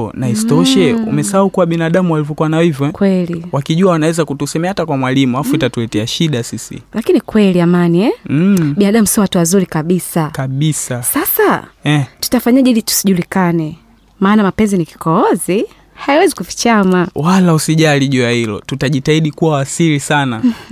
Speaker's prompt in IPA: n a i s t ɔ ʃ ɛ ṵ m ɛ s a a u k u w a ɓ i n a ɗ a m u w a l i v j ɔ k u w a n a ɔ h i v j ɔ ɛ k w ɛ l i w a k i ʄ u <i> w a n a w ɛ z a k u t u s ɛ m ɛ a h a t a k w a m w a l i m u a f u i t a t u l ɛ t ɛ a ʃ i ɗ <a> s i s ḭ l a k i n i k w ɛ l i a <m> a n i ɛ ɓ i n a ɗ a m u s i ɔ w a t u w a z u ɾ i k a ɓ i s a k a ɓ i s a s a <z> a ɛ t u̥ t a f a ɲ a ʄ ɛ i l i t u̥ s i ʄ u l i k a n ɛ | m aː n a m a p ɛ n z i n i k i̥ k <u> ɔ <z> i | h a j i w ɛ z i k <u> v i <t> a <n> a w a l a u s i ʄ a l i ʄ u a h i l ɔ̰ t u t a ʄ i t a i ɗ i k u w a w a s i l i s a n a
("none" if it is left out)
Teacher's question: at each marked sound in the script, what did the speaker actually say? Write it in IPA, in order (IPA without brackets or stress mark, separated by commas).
a, a, m, s, ɔ, z, u, t͡ʃ, m